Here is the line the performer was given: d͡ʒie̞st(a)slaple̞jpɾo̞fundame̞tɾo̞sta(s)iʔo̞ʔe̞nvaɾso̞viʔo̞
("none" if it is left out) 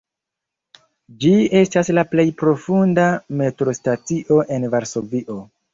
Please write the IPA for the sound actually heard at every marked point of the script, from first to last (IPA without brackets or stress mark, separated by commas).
a, t͡s